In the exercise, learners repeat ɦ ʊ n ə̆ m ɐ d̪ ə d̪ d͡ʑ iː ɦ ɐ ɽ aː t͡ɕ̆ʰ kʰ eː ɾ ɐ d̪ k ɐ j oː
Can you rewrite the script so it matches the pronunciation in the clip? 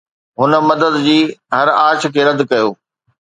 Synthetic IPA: ɦ ʊ n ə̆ m ɐ d̪ ə d̪ d͡ʑ iː ɦ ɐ ɾ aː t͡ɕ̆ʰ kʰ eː ɾ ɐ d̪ k ɐ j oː